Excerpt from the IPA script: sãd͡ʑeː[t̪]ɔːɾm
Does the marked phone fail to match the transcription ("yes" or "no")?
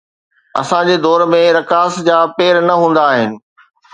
yes